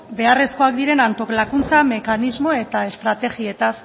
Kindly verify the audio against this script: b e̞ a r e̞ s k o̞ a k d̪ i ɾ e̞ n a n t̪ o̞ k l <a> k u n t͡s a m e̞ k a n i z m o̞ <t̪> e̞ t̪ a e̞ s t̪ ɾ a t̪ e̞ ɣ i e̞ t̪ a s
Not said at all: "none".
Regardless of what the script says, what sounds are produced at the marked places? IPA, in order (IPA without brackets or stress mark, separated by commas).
a, none